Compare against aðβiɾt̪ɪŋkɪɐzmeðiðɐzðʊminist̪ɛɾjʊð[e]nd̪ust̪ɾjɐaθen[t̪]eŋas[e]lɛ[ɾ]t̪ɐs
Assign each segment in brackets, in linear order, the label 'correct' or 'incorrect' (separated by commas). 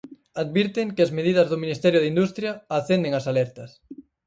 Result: incorrect, incorrect, incorrect, correct